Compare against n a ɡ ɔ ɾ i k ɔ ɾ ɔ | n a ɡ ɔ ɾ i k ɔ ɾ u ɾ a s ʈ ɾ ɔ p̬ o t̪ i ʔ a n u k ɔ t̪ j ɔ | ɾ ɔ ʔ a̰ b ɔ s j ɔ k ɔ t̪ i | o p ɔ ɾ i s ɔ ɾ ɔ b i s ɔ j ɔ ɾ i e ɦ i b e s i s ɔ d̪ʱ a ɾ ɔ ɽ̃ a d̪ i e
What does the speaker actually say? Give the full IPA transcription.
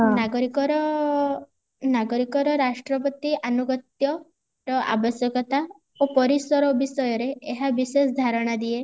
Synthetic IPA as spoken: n a ɡ ɔ ɾ i k ɔ ɾ ɔ | n a ɡ ɔ ɾ i k ɔ ɾ ɔ ɾ a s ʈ ɾ ɔ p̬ ɔ t̪ i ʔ a n u ɡ ɔ t̪ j ɔ | ɾ ɔ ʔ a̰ b ɔ s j ɔ k ɔ t̪ a | o p ɔ ɾ i s ɔ ɾ ɔ b i s ɔ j ɔ ɾ e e ɦ a b i s e s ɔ d̪ʱ a ɾ ɔ ɽ̃ a d̪ i e